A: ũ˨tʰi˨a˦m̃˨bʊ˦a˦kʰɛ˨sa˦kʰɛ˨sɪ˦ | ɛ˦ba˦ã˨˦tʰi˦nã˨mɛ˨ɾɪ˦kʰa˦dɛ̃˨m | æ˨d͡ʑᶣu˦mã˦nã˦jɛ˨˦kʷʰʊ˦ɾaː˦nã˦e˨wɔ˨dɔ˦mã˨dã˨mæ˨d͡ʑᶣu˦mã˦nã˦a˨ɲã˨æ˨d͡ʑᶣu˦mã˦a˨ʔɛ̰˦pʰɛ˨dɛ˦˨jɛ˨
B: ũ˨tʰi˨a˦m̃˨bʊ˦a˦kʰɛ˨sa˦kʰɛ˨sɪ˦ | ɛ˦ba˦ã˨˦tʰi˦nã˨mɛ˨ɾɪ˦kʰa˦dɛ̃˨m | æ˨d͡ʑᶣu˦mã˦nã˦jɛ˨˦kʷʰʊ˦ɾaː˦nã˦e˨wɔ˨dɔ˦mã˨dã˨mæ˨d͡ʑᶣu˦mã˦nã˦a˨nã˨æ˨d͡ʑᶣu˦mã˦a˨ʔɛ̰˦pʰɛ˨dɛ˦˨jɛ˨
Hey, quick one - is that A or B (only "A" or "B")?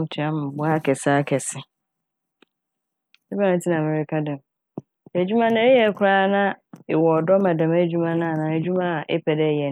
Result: B